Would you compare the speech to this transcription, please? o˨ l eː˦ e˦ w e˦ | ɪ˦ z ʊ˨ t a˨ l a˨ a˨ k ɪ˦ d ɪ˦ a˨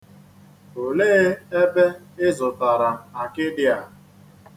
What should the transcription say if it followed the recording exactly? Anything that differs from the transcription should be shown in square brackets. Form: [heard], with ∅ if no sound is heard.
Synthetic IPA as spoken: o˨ l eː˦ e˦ [b] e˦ | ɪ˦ z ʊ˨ t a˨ [ɾ] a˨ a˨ k ɪ˦ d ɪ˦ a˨